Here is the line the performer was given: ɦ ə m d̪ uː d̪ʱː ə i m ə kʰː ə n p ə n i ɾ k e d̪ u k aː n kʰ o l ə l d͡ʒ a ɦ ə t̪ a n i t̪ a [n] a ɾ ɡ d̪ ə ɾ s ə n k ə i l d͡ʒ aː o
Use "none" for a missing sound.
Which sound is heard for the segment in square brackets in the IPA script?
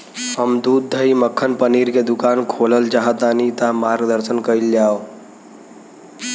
m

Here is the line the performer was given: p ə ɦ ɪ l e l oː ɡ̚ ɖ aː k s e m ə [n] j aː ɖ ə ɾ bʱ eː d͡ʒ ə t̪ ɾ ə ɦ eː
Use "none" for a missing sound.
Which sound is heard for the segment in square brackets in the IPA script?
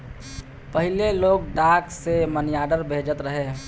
n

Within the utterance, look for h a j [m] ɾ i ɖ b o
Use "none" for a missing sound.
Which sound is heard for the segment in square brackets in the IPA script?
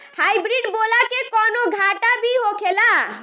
b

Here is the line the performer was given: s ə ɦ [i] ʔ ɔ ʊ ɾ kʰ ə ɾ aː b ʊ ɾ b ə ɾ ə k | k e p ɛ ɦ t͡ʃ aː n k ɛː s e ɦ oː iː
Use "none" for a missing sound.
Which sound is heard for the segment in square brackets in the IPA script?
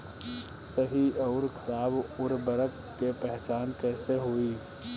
i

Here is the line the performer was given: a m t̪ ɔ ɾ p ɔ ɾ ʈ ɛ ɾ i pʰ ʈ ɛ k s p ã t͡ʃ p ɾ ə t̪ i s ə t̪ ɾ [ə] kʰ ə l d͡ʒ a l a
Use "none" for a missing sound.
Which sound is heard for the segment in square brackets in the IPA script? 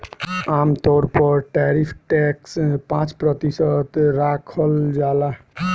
a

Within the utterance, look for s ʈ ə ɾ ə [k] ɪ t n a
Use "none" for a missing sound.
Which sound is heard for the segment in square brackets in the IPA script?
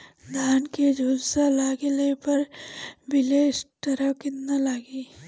k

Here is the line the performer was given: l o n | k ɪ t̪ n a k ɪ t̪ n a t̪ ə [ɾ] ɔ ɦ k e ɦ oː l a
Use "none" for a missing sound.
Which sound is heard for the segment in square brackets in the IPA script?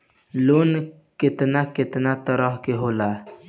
ɾ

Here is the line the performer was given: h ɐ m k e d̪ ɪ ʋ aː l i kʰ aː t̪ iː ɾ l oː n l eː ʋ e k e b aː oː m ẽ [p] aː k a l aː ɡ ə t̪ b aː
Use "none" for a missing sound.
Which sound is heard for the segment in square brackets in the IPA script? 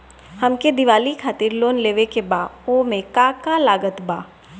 k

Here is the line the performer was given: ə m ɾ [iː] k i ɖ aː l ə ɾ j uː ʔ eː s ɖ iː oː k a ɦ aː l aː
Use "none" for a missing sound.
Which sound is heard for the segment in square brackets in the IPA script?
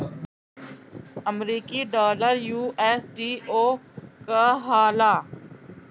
iː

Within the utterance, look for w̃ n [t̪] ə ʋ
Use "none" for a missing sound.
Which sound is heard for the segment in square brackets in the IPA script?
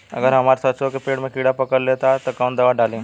d̪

